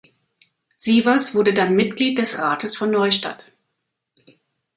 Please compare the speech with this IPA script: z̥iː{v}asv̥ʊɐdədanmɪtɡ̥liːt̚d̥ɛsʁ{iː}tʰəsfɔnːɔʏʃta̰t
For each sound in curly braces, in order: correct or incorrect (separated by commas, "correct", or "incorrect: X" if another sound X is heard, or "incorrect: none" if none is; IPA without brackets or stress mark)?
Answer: correct, incorrect: aː